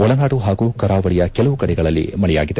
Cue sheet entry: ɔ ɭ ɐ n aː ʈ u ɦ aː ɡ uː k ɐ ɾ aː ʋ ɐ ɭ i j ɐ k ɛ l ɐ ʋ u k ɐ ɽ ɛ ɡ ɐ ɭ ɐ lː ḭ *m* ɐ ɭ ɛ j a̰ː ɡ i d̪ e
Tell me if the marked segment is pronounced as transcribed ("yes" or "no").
yes